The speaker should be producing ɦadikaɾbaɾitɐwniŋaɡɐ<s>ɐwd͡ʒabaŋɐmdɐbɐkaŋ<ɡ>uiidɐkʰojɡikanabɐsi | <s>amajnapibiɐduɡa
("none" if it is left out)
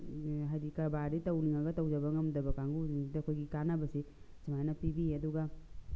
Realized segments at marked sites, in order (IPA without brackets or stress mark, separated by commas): t, ɡ, s